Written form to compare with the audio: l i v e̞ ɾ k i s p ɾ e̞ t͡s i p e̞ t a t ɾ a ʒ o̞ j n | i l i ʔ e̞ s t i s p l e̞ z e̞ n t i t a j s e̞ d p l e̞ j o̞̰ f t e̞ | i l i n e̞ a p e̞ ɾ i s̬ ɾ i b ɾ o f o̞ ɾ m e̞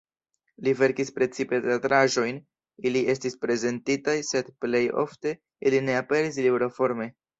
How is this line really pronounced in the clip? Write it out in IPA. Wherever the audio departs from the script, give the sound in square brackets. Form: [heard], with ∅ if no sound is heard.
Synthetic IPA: l i v e̞ ɾ k i s p ɾ e̞ t͡s i p e̞ t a t ɾ a ʒ o̞ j n | i l i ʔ e̞ s t i s p [ɾ] e̞ z e̞ n t i t a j s e̞ d p l e̞ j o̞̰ f t e̞ | i l i n e̞ a p e̞ ɾ i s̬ [l] i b ɾ o f o̞ ɾ m e̞